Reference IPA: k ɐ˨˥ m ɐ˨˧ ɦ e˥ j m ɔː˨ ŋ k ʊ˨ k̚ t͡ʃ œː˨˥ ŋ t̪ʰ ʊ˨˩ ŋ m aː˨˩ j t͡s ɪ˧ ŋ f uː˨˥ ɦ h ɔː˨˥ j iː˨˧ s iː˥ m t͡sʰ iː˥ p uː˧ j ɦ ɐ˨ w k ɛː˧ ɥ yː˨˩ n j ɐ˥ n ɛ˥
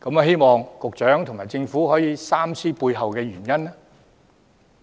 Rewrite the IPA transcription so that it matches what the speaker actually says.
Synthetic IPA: k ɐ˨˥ m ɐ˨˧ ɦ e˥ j m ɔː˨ ŋ k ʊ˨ k̚ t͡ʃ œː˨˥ ŋ t̪ʰ ʊ˨˩ ŋ m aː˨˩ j t͡s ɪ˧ ŋ f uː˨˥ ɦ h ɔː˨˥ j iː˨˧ s aː˥ m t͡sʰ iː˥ p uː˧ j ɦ ɐ˨ w k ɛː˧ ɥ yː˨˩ n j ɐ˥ n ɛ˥